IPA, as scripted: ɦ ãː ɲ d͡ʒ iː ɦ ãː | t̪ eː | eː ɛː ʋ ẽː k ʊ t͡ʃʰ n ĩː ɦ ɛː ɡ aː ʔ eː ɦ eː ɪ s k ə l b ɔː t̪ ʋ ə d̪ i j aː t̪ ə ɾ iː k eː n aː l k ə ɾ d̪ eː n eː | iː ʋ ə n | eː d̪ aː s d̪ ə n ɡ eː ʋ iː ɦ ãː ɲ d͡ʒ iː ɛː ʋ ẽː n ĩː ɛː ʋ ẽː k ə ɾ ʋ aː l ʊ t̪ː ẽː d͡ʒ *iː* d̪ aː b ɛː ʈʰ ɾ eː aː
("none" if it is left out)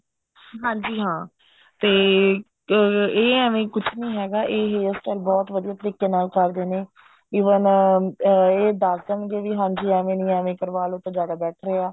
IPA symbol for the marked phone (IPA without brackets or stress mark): aː